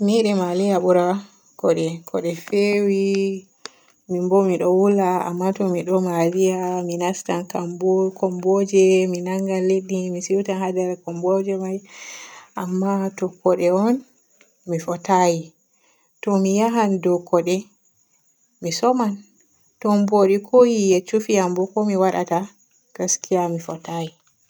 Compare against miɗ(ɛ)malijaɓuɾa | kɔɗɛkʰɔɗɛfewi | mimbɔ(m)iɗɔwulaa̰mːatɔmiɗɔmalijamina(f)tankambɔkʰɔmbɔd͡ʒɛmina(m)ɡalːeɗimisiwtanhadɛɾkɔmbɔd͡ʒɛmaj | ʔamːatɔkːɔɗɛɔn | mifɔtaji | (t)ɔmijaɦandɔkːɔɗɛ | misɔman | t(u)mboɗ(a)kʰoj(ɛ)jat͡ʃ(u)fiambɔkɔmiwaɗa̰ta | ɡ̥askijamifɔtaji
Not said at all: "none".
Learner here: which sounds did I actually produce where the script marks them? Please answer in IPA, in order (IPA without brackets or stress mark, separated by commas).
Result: ɛ, m, s, ŋ, t, ɔ, i, i, u